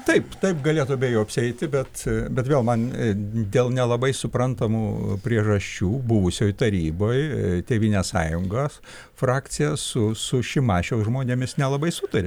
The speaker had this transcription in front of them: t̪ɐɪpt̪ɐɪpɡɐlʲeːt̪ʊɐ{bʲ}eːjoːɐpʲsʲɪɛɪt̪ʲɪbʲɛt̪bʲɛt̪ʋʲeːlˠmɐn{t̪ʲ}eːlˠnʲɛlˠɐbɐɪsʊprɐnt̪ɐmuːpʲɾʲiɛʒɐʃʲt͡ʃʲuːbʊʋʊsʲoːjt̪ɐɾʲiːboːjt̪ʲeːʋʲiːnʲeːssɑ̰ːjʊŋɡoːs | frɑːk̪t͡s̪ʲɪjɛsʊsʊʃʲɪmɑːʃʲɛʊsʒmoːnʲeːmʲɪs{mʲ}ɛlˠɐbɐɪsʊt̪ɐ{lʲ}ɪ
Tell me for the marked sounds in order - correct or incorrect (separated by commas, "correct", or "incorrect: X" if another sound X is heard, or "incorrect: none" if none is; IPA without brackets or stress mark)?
correct, incorrect: d̪ʲ, incorrect: nʲ, incorrect: ɾʲ